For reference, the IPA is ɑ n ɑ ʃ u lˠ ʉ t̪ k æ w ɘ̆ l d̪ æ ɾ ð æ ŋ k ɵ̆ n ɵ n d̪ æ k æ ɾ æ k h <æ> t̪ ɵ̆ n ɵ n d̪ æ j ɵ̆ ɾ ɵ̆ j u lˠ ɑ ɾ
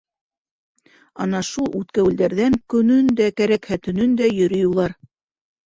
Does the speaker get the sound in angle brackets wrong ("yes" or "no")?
no